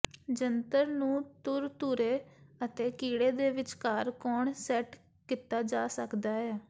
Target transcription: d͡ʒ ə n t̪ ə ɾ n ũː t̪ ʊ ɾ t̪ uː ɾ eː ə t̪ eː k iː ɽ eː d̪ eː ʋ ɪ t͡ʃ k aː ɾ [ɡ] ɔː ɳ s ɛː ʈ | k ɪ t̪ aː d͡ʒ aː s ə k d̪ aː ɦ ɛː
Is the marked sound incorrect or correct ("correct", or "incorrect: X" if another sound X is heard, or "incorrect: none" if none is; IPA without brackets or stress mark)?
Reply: incorrect: k